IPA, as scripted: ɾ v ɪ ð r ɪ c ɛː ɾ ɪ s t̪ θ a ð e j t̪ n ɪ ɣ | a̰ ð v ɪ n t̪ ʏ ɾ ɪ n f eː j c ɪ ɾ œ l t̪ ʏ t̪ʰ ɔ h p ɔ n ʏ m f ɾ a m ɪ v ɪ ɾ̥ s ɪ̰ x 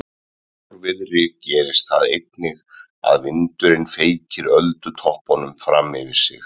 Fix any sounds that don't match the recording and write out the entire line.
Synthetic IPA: ɾ v ɪ ð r ɪ c ɛː ɾ ɪ s t̪ θ a ð e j t̪ n ɪ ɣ | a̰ ð v ɪ n t̪ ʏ ɾ ɪ n f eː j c ɪ ɾ œ l t̪ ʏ t̪ʰ ɔ h p ɔ n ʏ m f ɾ a m ɪ v ɪ ɾ̥ s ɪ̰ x